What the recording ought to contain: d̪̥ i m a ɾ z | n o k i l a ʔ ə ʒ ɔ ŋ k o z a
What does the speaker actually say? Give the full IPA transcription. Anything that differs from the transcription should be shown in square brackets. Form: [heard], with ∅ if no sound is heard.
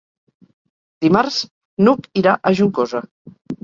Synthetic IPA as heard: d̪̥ i m a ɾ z | n [u] k i [ɾ] a ʔ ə ʒ [u] ŋ k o z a